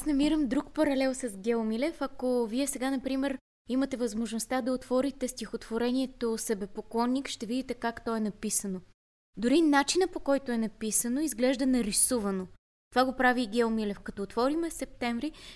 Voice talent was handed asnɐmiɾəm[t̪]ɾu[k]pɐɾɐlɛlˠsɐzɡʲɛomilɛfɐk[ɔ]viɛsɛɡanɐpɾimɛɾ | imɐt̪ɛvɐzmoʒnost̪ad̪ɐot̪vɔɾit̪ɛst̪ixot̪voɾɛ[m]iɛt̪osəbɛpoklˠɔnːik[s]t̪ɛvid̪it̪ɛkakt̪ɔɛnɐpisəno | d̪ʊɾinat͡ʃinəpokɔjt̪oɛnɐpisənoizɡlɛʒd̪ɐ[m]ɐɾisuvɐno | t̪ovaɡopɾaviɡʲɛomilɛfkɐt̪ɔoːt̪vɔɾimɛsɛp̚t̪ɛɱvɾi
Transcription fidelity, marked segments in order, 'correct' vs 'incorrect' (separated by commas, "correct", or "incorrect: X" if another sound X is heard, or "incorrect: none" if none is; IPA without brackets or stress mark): incorrect: d̪, correct, incorrect: o, incorrect: n, incorrect: ʃ, incorrect: n